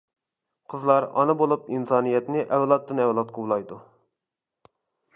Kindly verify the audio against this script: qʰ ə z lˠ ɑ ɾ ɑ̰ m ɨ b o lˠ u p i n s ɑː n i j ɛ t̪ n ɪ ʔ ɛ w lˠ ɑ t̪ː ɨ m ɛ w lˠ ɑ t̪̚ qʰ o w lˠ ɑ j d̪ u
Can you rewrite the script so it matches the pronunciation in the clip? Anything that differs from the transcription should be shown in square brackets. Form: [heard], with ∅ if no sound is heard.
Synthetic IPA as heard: qʰ ə z lˠ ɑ ɾ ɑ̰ [n] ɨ b o lˠ u p i n s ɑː n i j ɛ t̪ n ɪ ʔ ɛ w lˠ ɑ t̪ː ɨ [n] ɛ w lˠ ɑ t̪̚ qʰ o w lˠ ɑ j d̪ u